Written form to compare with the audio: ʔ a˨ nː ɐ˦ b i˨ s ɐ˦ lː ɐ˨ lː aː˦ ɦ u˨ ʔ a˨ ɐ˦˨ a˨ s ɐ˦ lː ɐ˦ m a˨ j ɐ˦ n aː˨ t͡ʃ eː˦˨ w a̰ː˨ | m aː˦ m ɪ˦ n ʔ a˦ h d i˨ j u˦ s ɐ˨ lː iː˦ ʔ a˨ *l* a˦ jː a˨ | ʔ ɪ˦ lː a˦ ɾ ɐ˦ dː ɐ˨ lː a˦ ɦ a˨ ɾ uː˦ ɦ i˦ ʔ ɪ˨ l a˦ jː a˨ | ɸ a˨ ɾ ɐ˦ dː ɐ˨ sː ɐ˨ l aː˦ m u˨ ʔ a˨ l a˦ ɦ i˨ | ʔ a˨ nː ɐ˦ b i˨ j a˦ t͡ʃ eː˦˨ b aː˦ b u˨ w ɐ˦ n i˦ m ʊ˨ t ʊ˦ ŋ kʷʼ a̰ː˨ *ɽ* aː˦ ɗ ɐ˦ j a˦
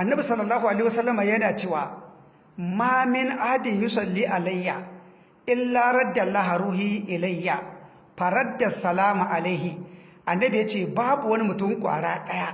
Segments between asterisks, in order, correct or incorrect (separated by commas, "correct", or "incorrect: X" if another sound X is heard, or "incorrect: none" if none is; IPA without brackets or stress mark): correct, correct